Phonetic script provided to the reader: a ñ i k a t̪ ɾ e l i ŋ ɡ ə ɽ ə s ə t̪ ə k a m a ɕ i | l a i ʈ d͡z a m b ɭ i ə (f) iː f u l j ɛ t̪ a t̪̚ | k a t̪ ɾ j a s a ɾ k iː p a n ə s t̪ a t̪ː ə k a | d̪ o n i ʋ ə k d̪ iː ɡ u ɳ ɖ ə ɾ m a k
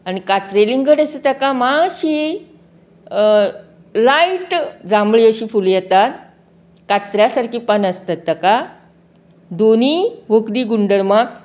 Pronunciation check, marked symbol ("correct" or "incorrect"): incorrect